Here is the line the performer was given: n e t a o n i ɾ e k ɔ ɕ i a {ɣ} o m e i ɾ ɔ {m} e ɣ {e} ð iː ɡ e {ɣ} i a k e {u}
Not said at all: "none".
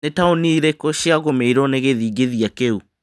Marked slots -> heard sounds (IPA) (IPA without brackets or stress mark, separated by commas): ɣ, n, e, ð, u